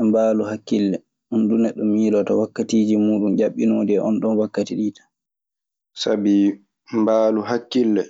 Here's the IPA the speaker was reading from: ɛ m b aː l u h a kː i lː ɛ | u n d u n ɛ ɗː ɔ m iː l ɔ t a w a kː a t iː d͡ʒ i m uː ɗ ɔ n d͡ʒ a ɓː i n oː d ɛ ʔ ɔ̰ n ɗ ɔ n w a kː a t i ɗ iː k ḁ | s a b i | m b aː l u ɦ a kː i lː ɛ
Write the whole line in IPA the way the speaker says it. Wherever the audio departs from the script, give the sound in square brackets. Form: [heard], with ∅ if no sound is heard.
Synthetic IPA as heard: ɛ m b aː l u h a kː i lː ɛ | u n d u n ɛ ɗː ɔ m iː l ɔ t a w a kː a t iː d͡ʒ i m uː ɗ [u] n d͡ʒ a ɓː i n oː d ɛ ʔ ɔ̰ n ɗ ɔ n w a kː a t i ɗ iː [t] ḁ | s a b i | m b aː l u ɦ a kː i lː ɛ